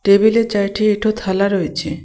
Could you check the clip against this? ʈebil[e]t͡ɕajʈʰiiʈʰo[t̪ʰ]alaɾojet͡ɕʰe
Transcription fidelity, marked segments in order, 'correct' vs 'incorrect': correct, correct

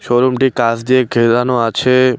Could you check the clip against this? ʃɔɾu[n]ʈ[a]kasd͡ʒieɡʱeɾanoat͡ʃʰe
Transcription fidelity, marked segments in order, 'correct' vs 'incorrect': incorrect: m, incorrect: i

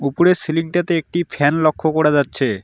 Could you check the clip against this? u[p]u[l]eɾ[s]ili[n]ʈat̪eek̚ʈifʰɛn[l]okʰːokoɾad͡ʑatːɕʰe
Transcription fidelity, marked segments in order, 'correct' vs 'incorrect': correct, incorrect: ɾ, correct, incorrect: ŋ, correct

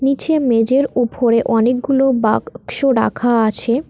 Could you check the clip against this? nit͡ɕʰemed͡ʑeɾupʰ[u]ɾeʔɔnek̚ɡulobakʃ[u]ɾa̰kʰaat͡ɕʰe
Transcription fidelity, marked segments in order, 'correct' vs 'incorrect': incorrect: o, incorrect: o

